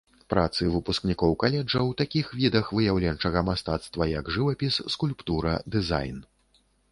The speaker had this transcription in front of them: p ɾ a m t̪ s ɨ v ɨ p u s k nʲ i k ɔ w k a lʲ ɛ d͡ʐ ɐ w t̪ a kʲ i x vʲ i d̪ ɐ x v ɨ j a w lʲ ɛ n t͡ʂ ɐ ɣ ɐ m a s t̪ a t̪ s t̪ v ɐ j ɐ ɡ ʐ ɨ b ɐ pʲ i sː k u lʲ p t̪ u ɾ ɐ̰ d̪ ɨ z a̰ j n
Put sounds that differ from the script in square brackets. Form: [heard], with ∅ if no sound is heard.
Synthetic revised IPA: p ɾ a [∅] t̪ s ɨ v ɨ p u s k nʲ i k ɔ w k a lʲ ɛ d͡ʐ ɐ w t̪ a kʲ i x vʲ i d̪ ɐ x v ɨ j a w lʲ ɛ n t͡ʂ ɐ ɣ ɐ m a s t̪ a t̪ s t̪ v ɐ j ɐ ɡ ʐ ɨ [v] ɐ pʲ i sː k u lʲ p t̪ u ɾ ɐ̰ d̪ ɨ z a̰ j n